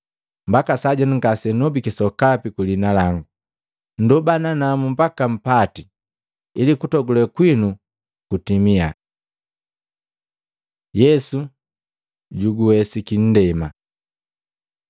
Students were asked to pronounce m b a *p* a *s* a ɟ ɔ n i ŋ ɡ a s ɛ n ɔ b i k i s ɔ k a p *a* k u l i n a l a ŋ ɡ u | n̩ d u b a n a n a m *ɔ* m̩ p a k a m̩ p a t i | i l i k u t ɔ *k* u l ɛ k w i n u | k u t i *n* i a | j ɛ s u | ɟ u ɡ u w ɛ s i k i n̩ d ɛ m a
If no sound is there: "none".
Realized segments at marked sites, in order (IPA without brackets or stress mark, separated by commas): k, s, i, u, ɡ, m